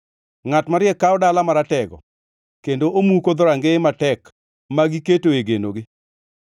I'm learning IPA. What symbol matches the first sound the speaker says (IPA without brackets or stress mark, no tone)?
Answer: ŋ